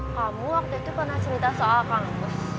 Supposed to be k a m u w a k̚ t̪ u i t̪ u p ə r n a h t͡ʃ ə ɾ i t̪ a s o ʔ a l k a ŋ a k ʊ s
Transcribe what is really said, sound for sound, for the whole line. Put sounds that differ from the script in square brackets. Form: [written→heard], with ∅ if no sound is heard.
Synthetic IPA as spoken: k a m u w a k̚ t̪ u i t̪ u p ə r n a h t͡ʃ ə ɾ i t̪ a s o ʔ a l k a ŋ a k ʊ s